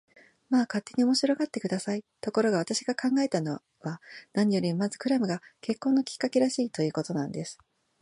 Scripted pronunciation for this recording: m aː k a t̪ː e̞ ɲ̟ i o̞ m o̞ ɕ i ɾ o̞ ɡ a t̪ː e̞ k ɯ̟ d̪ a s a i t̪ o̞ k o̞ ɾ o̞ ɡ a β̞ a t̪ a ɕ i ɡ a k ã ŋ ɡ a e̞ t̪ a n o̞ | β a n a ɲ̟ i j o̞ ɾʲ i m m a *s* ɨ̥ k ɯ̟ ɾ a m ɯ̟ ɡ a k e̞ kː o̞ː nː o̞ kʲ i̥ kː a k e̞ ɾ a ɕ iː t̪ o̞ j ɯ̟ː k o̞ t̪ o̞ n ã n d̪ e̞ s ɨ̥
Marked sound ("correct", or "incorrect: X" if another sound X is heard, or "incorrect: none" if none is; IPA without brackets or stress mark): incorrect: z